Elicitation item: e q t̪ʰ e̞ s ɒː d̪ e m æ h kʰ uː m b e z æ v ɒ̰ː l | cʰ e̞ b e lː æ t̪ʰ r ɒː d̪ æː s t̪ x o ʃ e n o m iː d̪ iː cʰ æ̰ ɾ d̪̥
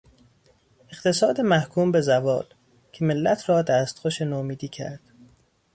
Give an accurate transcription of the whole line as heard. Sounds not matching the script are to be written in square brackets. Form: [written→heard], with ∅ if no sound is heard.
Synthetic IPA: e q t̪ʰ e̞ s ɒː d̪ e m æ h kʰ uː m b e z æ v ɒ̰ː l | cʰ e̞ [b→m] e lː æ t̪ʰ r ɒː d̪ æː s t̪ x o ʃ e n o m iː d̪ iː cʰ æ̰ ɾ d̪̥

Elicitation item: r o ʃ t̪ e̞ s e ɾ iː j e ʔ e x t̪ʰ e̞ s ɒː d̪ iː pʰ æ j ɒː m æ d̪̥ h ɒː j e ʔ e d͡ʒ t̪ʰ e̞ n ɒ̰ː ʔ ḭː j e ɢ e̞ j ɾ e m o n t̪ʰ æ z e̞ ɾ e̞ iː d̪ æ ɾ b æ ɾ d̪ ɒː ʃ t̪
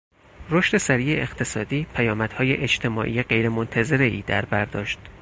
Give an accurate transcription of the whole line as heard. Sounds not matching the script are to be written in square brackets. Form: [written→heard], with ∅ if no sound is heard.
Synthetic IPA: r o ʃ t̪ e̞ s [e→æ] ɾ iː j e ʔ e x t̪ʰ e̞ s ɒː d̪ iː pʰ æ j ɒː m æ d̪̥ h ɒː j e ʔ e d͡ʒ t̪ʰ e̞ [n→m] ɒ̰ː ʔ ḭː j e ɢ e̞ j ɾ e m o n t̪ʰ æ z e̞ ɾ e̞ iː d̪ æ ɾ b æ ɾ d̪ ɒː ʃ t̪

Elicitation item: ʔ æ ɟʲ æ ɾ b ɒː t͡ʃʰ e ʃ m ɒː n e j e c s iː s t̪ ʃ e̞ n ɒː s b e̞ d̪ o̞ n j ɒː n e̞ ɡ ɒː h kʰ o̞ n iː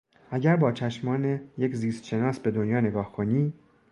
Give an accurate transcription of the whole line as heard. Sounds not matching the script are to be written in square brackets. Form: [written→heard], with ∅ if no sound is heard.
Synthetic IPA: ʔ æ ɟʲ æ ɾ b ɒː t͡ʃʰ [e→æ] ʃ m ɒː n e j e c [s→z] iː s t̪ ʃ e̞ n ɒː s b e̞ d̪ o̞ n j ɒː n e̞ ɡ ɒː h kʰ o̞ n iː

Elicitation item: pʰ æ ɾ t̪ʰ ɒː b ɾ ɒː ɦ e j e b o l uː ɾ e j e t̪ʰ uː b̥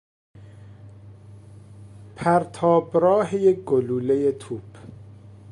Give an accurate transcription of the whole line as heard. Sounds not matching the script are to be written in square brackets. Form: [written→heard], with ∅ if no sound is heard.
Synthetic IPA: pʰ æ ɾ t̪ʰ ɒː b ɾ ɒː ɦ e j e [b→ɡ] o l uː [ɾ→l] e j e t̪ʰ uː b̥

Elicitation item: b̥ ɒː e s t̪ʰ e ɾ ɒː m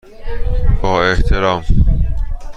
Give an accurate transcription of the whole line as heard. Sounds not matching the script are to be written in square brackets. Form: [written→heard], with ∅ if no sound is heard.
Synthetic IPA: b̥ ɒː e [s→h] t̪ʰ e ɾ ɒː m

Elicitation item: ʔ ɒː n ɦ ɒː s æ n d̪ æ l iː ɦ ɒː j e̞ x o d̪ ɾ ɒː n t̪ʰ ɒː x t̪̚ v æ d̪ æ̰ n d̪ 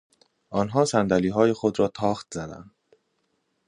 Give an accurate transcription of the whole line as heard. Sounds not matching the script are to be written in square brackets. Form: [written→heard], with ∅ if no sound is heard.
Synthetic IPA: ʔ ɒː n ɦ ɒː s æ n d̪ æ l iː ɦ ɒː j e̞ x o d̪ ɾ ɒː [n→∅] t̪ʰ ɒː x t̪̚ [v→z] æ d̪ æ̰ n d̪

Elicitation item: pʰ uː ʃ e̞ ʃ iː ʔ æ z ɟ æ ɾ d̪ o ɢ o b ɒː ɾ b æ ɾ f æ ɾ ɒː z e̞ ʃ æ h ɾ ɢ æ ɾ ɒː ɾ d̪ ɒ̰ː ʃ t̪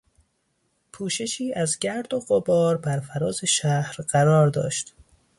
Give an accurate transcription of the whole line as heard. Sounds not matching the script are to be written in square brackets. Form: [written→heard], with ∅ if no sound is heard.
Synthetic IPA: pʰ uː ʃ e̞ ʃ iː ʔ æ z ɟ æ ɾ d̪ o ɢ o b ɒː ɾ b æ ɾ f æ ɾ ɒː z e̞ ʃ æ h ɾ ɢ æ ɾ ɒː ɾ d̪ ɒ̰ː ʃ t̪

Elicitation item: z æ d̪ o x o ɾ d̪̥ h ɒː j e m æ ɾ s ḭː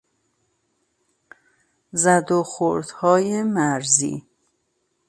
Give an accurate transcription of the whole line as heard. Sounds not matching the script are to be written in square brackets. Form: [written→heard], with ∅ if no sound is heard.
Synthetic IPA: z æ d̪ o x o ɾ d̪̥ h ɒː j e m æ ɾ [s→z] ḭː

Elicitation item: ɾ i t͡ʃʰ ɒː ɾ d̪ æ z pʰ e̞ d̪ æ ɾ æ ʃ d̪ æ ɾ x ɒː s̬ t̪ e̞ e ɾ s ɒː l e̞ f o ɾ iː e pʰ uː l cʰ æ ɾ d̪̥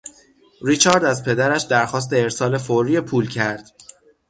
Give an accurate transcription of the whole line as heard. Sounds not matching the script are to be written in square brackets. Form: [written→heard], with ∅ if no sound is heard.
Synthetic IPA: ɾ i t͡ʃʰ ɒː ɾ d̪ æ z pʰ e̞ d̪ æ ɾ æ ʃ d̪ æ ɾ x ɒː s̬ t̪ e̞ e ɾ s ɒː l e̞ f o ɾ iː e pʰ uː l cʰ æ ɾ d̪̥

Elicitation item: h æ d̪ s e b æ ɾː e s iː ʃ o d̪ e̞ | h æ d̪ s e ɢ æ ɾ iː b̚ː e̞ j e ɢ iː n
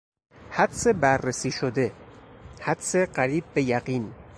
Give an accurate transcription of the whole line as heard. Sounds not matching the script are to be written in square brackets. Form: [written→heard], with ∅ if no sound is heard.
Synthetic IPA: h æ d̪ s e b æ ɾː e s iː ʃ o d̪ e̞ | h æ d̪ s e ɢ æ ɾ iː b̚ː e̞ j [e→æ] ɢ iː n

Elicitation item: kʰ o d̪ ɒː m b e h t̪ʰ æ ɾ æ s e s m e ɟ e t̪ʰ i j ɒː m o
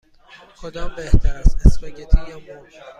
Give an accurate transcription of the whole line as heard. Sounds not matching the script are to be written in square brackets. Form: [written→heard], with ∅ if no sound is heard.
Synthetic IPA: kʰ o d̪ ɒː m b e h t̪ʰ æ ɾ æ s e s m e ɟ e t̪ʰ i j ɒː m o

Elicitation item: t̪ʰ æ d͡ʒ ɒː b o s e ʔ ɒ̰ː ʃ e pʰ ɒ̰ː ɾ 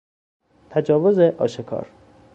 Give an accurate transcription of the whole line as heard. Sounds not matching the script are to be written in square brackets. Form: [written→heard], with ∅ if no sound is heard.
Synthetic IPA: t̪ʰ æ d͡ʒ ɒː [b→v] o [s→z] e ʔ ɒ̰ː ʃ e [pʰ→kʰ] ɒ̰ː ɾ

